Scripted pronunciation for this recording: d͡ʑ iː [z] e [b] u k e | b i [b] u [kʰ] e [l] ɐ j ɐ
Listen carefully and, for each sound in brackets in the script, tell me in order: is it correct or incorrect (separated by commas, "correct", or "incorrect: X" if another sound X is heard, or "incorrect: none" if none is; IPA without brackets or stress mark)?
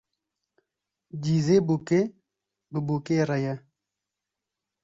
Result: correct, correct, correct, incorrect: k, incorrect: ɾ